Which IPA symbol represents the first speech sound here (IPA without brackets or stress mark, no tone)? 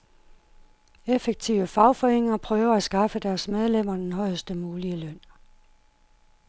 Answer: e